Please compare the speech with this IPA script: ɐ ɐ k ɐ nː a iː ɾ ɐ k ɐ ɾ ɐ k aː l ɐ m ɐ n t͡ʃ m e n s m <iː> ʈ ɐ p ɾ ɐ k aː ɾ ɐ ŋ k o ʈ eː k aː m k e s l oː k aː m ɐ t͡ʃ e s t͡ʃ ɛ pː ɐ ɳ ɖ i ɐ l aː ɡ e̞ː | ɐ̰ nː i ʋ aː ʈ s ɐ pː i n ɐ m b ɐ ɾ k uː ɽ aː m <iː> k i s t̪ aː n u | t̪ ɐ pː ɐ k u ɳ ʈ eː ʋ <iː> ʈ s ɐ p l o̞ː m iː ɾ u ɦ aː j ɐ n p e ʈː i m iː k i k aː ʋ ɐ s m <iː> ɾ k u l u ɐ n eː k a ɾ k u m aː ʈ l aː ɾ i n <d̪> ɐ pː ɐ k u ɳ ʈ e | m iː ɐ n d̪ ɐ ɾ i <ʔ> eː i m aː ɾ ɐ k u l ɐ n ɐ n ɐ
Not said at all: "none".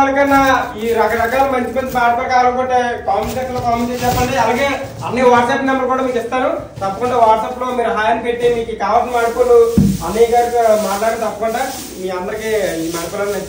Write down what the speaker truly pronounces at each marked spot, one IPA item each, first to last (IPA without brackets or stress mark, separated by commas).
aː, iː, aː, aː, t̪, k